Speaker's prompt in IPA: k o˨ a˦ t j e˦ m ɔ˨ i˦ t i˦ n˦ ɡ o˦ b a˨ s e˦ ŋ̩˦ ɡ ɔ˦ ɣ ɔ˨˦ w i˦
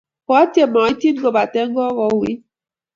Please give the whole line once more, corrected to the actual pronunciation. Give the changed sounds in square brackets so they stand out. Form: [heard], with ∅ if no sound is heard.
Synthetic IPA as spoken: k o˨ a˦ t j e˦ m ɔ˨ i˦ t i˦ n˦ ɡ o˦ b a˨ [t] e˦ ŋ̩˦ ɡ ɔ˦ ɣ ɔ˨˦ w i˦